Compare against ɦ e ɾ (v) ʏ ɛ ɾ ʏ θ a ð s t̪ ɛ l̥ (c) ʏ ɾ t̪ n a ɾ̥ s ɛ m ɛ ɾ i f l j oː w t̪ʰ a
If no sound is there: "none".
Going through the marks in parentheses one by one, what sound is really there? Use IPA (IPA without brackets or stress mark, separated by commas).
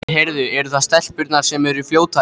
ð, p